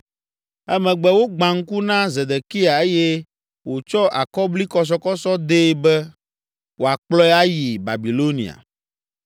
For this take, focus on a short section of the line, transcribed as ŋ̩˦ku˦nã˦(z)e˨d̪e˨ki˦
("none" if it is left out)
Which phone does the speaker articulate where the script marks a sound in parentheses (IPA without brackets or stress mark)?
z